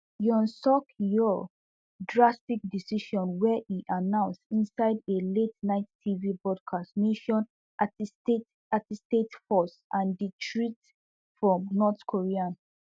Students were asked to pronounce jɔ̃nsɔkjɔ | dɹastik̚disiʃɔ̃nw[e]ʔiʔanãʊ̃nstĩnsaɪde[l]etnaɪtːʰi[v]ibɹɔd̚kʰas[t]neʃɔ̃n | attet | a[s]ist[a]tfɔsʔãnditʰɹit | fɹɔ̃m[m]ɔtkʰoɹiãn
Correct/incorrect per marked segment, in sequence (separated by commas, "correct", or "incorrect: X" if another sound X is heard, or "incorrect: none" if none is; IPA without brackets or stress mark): incorrect: ɛ, correct, correct, correct, incorrect: t, incorrect: e, incorrect: n